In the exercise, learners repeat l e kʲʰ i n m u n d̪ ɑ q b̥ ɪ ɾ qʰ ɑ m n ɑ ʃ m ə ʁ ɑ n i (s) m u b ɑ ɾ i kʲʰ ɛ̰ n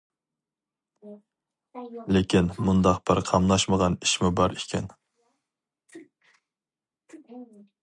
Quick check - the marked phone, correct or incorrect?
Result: incorrect